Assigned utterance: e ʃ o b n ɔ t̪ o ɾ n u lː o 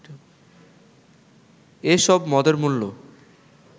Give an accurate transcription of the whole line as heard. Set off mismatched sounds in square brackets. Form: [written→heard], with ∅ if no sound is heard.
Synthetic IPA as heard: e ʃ [o→ɔ] b [n→m] ɔ [t̪→d̪] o ɾ [n→m] u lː o